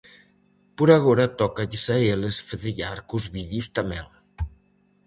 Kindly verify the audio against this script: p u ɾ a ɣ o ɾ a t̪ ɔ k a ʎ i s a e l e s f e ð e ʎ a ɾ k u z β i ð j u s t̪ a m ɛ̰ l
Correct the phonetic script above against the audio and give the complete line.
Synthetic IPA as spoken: p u ɾ a ɣ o ɾ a t̪ ɔ k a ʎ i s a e l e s f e ð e ʎ a ɾ k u z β i ð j u s t̪ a m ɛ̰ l